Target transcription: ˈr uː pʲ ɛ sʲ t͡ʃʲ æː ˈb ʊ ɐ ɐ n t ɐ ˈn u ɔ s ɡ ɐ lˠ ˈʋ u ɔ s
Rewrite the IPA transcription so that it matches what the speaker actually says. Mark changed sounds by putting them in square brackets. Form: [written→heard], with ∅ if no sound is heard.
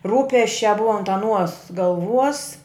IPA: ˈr uː pʲ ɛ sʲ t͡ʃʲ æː ˈb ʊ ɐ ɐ n t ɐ ˈn u ɔ s ɡ ɐ lˠ ˈʋ u ɔ s